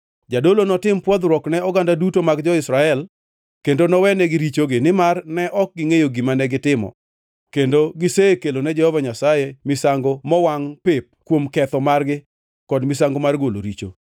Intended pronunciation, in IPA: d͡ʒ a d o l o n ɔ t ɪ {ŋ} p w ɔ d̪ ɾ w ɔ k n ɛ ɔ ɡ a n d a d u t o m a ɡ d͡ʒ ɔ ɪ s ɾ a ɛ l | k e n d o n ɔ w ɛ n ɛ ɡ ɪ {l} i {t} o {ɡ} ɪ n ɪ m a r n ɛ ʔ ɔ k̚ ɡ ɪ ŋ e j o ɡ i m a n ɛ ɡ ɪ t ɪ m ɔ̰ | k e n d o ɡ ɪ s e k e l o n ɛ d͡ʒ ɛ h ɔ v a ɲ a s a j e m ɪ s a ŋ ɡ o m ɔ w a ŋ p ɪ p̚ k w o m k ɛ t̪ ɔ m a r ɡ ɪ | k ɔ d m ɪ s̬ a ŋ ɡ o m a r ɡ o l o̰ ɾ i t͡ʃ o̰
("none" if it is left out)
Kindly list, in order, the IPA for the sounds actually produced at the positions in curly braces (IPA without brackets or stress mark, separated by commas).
m, ɾ, t͡ʃ, ɡ